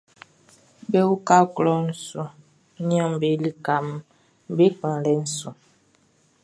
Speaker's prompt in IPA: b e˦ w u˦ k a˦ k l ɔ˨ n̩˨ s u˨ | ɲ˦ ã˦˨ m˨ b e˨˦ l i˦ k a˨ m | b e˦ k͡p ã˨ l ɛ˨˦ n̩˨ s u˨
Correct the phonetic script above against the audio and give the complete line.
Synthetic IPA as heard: b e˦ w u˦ k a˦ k l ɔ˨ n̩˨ s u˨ | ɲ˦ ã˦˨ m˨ b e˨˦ l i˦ k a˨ m | b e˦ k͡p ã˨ l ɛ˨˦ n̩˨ s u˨